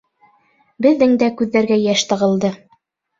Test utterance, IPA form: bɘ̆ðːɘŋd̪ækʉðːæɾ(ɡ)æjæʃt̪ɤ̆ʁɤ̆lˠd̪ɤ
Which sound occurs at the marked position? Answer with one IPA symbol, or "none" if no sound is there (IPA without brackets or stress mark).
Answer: ɡ